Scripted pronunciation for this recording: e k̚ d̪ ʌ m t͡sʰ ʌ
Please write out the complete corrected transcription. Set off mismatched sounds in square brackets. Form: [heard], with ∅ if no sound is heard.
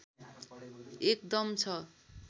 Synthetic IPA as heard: e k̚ d̪ ʌ m t͡sʰ ʌ